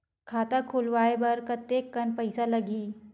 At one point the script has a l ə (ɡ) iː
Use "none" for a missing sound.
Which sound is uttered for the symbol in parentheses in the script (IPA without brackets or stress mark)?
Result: ɡ